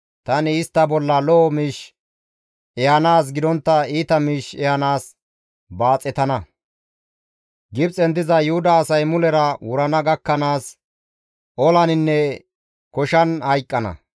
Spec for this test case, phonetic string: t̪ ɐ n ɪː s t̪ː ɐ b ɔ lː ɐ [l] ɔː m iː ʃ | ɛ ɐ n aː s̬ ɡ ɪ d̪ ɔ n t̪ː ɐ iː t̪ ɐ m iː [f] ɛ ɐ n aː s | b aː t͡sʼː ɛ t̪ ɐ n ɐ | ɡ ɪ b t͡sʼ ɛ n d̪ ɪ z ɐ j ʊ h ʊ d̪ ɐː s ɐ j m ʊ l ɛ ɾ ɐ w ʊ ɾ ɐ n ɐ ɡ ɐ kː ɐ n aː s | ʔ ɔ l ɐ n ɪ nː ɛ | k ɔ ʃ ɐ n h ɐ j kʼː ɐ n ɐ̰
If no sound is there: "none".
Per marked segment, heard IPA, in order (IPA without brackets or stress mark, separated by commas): l, ʃ